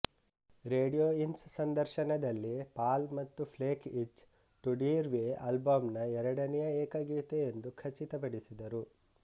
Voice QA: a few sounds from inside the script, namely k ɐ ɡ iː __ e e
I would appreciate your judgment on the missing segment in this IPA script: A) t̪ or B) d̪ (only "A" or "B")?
A